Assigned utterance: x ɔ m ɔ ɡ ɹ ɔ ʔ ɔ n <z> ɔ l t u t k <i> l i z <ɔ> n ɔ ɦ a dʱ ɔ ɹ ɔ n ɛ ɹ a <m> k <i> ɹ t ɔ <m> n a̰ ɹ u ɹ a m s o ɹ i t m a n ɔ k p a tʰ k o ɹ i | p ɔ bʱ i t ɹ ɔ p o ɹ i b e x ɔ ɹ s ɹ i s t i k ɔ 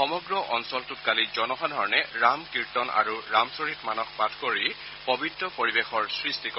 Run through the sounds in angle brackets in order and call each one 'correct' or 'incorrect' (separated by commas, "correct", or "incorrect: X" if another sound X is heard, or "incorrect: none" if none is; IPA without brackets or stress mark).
incorrect: s, incorrect: a, correct, correct, correct, incorrect: none